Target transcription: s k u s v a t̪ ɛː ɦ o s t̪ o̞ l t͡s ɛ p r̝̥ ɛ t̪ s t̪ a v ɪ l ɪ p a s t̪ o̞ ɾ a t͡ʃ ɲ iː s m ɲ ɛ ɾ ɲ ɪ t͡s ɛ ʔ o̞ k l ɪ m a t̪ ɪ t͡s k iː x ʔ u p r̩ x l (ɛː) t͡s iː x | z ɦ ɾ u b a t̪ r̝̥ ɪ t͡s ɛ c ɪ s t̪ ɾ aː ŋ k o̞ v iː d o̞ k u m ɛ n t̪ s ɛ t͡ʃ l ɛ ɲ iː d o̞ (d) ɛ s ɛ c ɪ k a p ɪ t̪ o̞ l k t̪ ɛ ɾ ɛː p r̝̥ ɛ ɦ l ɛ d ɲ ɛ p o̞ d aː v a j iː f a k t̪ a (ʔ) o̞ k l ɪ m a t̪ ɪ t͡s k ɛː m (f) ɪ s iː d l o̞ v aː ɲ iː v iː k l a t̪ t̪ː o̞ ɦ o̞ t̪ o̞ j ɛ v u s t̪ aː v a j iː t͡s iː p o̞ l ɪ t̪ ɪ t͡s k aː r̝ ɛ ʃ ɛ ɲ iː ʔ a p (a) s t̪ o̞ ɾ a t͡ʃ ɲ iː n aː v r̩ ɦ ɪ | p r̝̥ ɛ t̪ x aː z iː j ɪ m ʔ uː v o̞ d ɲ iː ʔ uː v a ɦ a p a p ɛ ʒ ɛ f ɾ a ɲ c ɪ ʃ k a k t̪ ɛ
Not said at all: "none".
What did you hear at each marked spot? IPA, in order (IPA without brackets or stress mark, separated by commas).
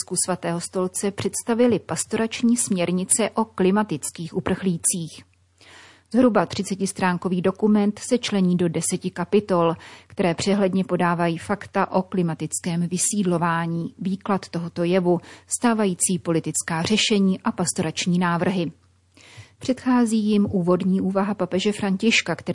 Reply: iː, d, ʔ, v, a